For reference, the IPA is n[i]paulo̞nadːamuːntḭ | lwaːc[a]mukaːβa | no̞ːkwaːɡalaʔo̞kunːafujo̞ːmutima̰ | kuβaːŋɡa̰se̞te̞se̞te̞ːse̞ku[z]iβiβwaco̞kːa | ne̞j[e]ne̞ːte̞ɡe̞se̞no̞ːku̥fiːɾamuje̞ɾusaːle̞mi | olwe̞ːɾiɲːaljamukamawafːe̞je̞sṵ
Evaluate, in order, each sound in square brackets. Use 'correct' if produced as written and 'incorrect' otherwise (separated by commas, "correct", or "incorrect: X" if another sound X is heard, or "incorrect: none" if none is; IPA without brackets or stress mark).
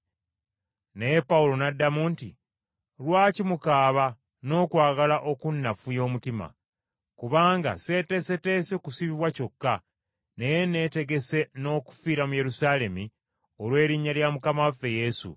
incorrect: e, incorrect: i, incorrect: s, correct